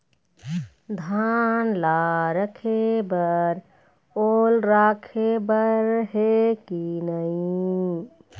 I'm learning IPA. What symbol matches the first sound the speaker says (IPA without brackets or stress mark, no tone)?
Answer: d̪ʱ